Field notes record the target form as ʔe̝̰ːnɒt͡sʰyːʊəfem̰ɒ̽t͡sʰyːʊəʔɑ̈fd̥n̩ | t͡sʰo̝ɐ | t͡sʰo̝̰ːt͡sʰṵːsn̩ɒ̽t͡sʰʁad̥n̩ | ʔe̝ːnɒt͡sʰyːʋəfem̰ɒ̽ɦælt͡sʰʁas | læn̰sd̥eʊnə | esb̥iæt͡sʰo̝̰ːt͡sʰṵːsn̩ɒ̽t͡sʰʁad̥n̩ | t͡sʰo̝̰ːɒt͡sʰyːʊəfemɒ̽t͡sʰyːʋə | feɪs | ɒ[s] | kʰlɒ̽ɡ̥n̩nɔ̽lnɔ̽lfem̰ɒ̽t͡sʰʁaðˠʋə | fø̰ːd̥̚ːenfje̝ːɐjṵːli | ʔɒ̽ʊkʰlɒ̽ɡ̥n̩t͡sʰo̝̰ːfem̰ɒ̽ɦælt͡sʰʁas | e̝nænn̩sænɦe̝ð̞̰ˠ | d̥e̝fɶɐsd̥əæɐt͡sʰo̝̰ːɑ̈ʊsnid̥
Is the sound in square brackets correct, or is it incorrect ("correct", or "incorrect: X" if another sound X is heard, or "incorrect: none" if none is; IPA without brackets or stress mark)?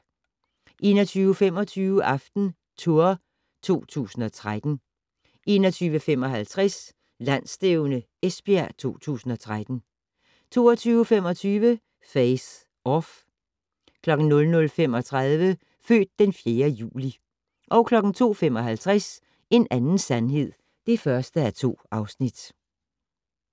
incorrect: f